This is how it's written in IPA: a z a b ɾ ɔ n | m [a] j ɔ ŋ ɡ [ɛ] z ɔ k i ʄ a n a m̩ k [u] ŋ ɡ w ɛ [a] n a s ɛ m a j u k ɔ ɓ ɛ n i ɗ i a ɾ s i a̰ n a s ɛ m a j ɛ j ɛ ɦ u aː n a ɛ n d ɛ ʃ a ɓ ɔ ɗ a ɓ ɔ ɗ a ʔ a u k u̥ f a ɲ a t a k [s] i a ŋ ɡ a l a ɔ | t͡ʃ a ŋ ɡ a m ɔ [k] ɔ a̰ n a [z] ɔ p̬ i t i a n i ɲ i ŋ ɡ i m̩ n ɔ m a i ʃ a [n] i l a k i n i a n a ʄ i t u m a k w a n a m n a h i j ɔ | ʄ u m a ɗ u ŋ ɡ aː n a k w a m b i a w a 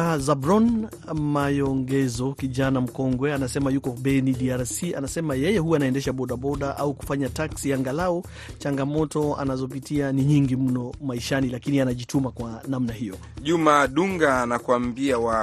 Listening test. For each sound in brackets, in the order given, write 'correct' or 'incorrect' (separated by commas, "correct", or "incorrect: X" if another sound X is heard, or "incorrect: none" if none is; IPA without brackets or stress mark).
correct, correct, incorrect: ɔ, correct, correct, incorrect: t, correct, correct